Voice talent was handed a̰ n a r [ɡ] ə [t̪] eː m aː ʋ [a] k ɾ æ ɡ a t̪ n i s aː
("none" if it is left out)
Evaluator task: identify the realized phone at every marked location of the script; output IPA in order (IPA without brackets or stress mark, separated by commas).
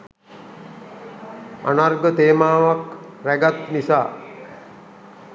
ɡ, t̪, a